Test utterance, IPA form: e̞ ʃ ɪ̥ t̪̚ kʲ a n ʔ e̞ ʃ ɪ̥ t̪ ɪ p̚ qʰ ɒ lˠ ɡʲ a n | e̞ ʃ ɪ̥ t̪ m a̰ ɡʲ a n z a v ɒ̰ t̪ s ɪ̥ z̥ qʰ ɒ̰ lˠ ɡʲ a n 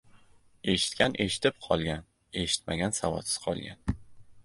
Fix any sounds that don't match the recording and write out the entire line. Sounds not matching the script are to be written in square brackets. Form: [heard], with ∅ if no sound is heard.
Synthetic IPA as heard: e̞ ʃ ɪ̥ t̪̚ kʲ a n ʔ e̞ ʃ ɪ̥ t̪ ɪ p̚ qʰ ɒ lˠ ɡʲ a n | e̞ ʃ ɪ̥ t̪ m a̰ ɡʲ a n [s] a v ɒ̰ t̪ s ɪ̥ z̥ qʰ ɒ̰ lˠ ɡʲ a n